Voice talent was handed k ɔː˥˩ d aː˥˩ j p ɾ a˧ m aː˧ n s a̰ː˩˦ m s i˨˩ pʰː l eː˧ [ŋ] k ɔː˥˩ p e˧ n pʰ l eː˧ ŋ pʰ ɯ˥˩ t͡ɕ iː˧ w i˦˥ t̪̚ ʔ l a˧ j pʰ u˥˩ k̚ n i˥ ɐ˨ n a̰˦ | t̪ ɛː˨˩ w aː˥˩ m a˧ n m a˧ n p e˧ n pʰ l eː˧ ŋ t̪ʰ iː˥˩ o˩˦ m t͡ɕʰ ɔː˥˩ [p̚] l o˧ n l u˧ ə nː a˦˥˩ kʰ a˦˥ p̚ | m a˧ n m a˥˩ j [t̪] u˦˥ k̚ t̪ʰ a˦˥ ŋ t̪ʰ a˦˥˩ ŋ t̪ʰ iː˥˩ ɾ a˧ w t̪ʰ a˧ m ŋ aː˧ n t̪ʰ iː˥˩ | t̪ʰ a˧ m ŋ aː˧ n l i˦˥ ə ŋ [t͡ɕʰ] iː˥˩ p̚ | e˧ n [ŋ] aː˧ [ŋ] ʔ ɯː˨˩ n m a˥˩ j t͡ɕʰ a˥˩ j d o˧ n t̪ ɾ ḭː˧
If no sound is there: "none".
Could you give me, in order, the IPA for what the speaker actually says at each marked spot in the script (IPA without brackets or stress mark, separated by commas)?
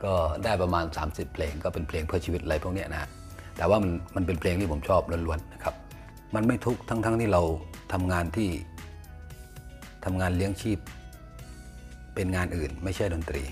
ŋ, p̚, t̪ʰ, t͡ɕʰ, ŋ, n